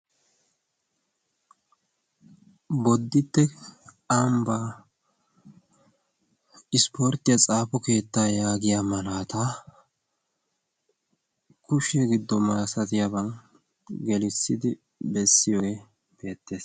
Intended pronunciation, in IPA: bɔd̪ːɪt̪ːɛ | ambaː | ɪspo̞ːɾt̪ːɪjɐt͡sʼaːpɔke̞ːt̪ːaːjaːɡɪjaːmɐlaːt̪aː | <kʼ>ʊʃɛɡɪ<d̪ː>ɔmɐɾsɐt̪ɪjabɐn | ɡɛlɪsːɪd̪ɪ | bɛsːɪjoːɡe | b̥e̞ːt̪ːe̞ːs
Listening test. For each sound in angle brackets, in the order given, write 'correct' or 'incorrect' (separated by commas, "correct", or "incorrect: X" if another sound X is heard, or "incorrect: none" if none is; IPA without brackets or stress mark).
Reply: incorrect: k, correct